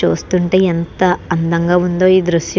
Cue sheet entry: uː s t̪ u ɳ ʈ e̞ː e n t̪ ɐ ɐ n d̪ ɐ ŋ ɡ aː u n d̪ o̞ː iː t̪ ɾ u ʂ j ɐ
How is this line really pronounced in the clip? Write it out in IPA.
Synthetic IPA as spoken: uː s t̪ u ɳ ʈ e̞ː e n t̪ ɐ ɐ n d̪ ɐ ŋ ɡ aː u n d̪ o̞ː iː d̪ ɾ u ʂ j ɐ